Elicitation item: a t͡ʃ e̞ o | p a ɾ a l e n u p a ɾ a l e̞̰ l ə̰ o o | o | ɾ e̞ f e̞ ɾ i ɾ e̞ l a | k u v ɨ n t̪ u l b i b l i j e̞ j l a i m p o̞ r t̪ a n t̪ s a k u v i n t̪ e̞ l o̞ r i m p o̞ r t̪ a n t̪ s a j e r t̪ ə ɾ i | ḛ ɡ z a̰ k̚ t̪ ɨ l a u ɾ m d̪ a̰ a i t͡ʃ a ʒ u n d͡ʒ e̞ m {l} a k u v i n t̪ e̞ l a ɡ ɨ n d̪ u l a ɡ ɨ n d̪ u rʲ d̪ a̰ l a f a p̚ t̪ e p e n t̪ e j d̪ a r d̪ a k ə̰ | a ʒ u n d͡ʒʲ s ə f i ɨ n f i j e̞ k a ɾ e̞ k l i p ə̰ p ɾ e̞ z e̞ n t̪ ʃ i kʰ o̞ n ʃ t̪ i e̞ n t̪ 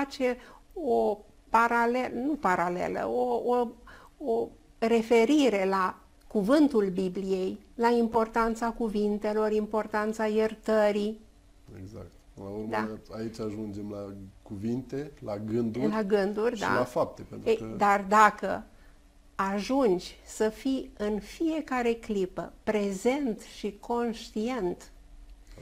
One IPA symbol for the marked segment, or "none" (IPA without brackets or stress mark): l